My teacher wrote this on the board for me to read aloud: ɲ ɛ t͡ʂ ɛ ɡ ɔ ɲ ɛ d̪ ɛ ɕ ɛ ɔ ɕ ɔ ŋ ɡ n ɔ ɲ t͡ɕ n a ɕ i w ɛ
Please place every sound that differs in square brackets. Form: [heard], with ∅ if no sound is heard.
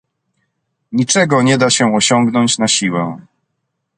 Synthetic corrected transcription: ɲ [i] t͡ʂ ɛ ɡ ɔ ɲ ɛ d̪ [a] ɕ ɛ ɔ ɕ ɔ ŋ ɡ n ɔ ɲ t͡ɕ n a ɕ i w ɛ

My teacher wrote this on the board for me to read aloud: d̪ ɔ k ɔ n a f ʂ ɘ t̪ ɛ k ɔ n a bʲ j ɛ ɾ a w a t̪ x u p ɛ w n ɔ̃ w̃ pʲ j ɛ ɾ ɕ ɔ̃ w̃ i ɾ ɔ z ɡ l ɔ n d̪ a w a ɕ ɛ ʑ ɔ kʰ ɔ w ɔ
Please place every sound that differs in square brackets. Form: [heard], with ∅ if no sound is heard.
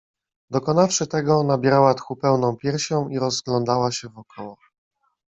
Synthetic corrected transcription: d̪ ɔ k ɔ n a f ʂ ɘ t̪ ɛ [ɡ] ɔ n a bʲ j ɛ ɾ a w a t̪ x u p ɛ w n ɔ̃ w̃ pʲ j ɛ ɾ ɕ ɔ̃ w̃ i ɾ ɔ z ɡ l ɔ n d̪ a w a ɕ ɛ [v] ɔ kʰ ɔ w ɔ

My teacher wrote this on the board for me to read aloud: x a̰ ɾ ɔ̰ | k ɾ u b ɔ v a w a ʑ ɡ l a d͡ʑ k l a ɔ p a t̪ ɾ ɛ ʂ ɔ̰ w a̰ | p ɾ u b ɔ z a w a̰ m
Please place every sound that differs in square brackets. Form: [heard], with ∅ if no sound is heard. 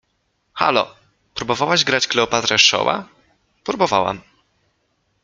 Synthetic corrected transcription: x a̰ [l] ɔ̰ | [p] ɾ u b ɔ v a w a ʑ ɡ [ɾ] a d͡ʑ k l [ɛ] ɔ p a t̪ ɾ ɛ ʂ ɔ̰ w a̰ | p ɾ u b ɔ [v] a w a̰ m

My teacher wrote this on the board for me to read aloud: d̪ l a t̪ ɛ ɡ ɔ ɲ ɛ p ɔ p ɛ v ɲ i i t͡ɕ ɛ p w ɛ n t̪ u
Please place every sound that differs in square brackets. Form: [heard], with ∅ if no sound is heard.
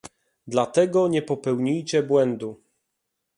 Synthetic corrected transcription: d̪ l a t̪ ɛ ɡ ɔ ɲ ɛ p ɔ p ɛ [w] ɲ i [j] t͡ɕ ɛ [b] w ɛ n [d̪] u

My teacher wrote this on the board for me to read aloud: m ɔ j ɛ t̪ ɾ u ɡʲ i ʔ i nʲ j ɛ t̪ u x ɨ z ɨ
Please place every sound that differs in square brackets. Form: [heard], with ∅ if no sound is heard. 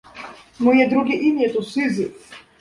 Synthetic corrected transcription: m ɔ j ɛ [d̪] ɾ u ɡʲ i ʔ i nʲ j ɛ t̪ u [s] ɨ z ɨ

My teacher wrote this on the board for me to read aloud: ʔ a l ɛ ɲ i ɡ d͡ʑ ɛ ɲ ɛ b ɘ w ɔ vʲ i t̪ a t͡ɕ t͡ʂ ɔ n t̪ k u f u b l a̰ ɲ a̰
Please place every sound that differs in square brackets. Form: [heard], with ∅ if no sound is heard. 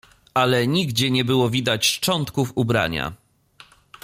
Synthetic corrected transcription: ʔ a l ɛ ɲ i ɡ d͡ʑ ɛ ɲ ɛ b ɘ w ɔ vʲ i [d̪] a t͡ɕ t͡ʂ ɔ n t̪ k u f u b [ɾ] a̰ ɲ a̰

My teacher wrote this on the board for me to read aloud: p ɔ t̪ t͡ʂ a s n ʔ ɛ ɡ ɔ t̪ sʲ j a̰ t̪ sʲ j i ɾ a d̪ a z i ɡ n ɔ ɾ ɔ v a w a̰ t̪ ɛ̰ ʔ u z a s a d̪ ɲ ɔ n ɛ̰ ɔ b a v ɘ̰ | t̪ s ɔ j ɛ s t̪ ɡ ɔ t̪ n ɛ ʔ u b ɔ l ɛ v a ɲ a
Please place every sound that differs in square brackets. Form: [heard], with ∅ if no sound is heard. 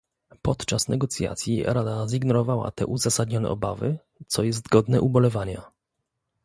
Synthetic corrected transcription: p ɔ t̪ t͡ʂ a s n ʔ ɛ ɡ ɔ t̪ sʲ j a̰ t̪ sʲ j i ɾ a d̪ a z i ɡ n ɔ ɾ ɔ v a w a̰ t̪ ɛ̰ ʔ u z a s a d̪ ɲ ɔ n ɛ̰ ɔ b a v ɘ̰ | t̪ s ɔ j ɛ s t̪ ɡ ɔ [d̪] n ɛ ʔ u b ɔ l ɛ v a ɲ a

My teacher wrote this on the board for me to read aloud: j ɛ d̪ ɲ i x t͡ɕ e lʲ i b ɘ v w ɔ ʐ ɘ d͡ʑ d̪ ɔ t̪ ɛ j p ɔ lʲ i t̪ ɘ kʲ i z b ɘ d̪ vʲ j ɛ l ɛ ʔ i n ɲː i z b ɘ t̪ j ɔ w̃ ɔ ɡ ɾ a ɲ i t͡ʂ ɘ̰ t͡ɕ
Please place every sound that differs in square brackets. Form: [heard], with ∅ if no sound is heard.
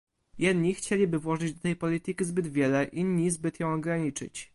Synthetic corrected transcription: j ɛ d̪ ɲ i x t͡ɕ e lʲ i b ɘ v w ɔ ʐ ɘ d͡ʑ d̪ ɔ t̪ ɛ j p ɔ lʲ i t̪ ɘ kʲ i z b ɘ d̪ vʲ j ɛ l ɛ ʔ i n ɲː i z b ɘ t̪ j [ɔ̃] w̃ ɔ ɡ ɾ a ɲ i t͡ʂ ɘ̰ t͡ɕ

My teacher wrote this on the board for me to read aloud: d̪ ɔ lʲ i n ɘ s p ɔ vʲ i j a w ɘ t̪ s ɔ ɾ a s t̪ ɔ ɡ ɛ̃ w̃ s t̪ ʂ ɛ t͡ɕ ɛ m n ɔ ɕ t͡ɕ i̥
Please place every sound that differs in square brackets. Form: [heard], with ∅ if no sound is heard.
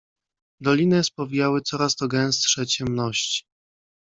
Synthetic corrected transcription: d̪ ɔ lʲ i n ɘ s p ɔ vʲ i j a w ɘ t̪ s ɔ ɾ a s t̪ ɔ ɡ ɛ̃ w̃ s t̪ ʂ ɛ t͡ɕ ɛ m n ɔ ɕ t͡ɕ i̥

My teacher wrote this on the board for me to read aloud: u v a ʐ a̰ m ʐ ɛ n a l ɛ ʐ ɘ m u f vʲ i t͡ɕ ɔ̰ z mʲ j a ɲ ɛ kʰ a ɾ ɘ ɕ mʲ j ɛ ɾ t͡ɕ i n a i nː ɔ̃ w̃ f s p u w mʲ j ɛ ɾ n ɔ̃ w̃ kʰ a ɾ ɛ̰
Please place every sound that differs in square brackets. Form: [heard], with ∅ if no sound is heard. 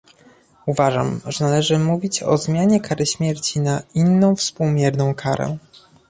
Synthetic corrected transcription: u v a ʐ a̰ m ʐ ɛ n a l ɛ ʐ ɘ m u [∅] vʲ i t͡ɕ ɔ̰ z mʲ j a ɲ ɛ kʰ a ɾ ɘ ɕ mʲ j ɛ ɾ t͡ɕ i n a i nː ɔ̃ w̃ f s p u w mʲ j ɛ ɾ n ɔ̃ w̃ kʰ a ɾ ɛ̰

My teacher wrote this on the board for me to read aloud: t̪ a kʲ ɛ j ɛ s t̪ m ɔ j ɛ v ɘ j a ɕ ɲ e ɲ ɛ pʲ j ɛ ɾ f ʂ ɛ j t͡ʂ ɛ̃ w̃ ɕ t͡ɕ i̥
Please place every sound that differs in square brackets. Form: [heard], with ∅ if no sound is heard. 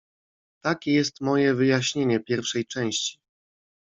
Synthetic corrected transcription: t̪ a kʲ ɛ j ɛ s t̪ m ɔ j ɛ v ɘ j a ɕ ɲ e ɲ ɛ pʲ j ɛ ɾ f ʂ ɛ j t͡ʂ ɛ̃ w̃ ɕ t͡ɕ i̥

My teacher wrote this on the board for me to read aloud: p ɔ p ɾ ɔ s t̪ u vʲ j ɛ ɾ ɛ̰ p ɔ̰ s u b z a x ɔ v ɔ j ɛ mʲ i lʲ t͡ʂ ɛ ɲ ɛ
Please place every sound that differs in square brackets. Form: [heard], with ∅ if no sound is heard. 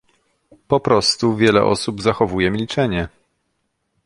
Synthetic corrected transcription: p ɔ p ɾ ɔ s t̪ u vʲ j ɛ [l] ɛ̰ [ʔ] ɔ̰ s u b z a x ɔ v [u] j ɛ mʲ i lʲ t͡ʂ ɛ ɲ ɛ

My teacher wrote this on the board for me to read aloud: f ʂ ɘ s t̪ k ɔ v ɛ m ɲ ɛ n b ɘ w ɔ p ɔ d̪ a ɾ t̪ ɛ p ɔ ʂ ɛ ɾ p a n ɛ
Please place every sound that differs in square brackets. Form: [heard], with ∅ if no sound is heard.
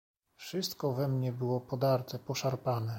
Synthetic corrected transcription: f ʂ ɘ s t̪ k ɔ v ɛ m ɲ ɛ [∅] b ɘ w ɔ p ɔ d̪ a ɾ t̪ ɛ p ɔ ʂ [a] ɾ p a n ɛ

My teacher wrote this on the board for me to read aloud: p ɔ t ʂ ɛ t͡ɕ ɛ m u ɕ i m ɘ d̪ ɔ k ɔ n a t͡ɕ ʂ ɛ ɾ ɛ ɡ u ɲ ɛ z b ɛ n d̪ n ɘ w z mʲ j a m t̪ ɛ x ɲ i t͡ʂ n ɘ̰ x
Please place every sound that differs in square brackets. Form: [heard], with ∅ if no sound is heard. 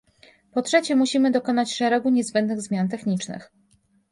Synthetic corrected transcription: p ɔ t ʂ ɛ t͡ɕ ɛ m u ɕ i m ɘ d̪ ɔ k ɔ n a t͡ɕ ʂ ɛ ɾ ɛ ɡ u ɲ ɛ z b ɛ n d̪ n ɘ [ɣ] z mʲ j a [n] t̪ ɛ x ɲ i t͡ʂ n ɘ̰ x

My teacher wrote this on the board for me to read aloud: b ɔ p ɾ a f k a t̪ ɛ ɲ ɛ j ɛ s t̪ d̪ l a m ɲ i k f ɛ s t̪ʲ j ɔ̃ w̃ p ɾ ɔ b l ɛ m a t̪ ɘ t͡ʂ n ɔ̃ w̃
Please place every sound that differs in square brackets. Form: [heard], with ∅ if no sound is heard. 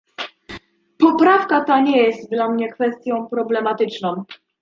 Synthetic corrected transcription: [p] ɔ p ɾ a f k a t̪ [a] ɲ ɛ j ɛ s t̪ d̪ l a m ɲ [ɛ] k f ɛ s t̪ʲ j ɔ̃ w̃ p ɾ ɔ b l ɛ m a t̪ ɘ t͡ʂ n ɔ̃ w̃

